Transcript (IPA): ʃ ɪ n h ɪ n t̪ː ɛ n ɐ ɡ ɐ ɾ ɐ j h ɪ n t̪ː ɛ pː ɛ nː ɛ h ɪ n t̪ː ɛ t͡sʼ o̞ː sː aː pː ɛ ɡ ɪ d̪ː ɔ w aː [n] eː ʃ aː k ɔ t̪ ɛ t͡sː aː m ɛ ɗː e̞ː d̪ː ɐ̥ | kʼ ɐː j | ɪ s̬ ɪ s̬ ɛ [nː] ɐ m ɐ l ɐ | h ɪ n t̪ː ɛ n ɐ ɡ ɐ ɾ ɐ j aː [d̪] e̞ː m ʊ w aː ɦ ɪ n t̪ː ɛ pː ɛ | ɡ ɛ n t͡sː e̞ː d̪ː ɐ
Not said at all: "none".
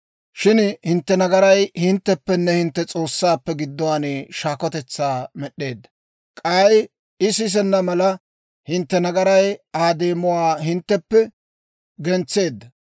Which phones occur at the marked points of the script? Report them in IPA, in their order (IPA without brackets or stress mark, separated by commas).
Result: n, nː, d̪